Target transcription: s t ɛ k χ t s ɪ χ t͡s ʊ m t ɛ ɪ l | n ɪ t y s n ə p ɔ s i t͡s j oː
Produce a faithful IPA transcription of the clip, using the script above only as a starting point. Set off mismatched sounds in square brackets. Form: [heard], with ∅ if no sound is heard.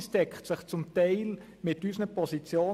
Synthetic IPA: s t ɛ k χ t s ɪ χ t͡s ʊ m t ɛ ɪ l | [m] ɪ t y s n ə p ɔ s i t͡s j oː